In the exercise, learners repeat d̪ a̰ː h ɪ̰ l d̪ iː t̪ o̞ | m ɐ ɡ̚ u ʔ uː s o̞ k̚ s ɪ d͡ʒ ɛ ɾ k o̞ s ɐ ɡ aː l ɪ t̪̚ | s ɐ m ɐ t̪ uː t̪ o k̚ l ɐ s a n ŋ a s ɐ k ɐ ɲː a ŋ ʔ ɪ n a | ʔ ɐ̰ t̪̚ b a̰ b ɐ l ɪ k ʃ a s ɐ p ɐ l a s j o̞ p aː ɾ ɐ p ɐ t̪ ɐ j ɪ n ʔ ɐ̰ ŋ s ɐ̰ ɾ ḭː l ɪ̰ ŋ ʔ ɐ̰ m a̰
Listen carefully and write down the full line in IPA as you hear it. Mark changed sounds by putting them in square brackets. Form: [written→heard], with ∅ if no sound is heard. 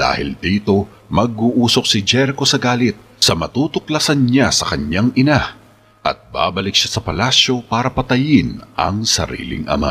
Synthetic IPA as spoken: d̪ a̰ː h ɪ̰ l d̪ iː t̪ o̞ | m ɐ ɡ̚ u ʔ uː s o̞ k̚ s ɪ d͡ʒ ɛ ɾ k o̞ s ɐ ɡ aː l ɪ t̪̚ | s ɐ m ɐ t̪ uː t̪ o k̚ l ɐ s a n [ŋ→ɲ] a s ɐ k ɐ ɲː a ŋ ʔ ɪ n a | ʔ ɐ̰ t̪̚ b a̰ b ɐ l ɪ k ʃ a s ɐ p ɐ l a s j o̞ p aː ɾ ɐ p ɐ t̪ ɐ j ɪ n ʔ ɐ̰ ŋ s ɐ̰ ɾ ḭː l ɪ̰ ŋ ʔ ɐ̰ m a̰